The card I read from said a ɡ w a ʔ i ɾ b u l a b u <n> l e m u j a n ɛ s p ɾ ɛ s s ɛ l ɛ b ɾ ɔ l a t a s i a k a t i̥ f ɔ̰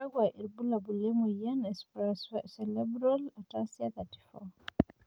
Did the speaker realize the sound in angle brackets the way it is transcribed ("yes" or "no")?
no